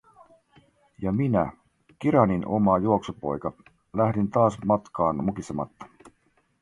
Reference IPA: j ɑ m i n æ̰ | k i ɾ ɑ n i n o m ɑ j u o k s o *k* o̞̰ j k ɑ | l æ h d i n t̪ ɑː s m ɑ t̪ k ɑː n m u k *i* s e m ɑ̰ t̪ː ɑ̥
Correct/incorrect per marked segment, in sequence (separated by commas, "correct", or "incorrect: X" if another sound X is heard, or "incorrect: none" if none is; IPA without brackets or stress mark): incorrect: p, correct